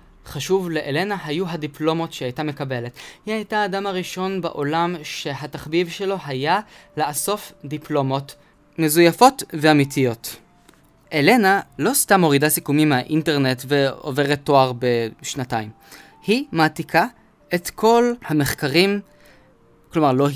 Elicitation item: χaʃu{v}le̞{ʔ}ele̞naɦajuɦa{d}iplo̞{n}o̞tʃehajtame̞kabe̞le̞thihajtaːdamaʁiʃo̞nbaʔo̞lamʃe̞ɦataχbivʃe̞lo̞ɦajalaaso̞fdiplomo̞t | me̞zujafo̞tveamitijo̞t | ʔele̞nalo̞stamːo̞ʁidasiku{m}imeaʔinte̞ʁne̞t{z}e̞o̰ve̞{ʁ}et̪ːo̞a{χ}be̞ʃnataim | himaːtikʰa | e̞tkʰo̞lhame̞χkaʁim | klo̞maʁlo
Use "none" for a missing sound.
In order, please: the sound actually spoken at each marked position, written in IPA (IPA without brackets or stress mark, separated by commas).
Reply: v, ʔ, d, m, m, v, ʁ, ʁ